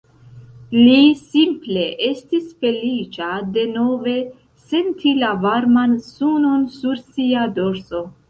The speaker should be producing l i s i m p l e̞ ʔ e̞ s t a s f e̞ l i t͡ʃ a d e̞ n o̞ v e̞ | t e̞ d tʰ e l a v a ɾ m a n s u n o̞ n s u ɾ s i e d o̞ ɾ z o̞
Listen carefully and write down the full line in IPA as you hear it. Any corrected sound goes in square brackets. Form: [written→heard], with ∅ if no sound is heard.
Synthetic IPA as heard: l i s i m p l e̞ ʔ e̞ s t [a→i] s f e̞ l i t͡ʃ a d e̞ n o̞ v e̞ | [t→s] e̞ [d→n] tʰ [e→i] l a v a ɾ m a n s u n o̞ n s u ɾ s i [e→a] d o̞ ɾ [z→s] o̞